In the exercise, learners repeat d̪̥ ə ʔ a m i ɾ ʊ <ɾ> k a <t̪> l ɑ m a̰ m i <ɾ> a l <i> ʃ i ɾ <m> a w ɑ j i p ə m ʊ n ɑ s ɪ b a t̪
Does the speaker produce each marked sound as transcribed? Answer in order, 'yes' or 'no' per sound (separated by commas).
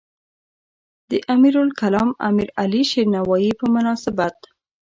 no, no, yes, yes, no